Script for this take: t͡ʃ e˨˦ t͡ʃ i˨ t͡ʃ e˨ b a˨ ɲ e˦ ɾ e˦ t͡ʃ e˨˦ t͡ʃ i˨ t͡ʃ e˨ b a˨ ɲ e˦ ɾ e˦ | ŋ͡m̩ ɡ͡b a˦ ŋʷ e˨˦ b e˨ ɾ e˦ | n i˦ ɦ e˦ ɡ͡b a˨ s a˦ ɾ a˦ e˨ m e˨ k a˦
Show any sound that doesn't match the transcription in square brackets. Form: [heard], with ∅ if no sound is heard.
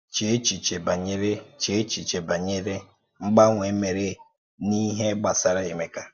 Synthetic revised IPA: t͡ʃ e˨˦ t͡ʃ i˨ t͡ʃ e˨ b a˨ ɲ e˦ ɾ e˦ t͡ʃ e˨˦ t͡ʃ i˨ t͡ʃ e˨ b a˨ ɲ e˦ ɾ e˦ | ŋ͡m̩ ɡ͡b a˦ ŋʷ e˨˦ [m] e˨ ɾ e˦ | n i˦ ɦ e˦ ɡ͡b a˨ s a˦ ɾ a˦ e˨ m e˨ k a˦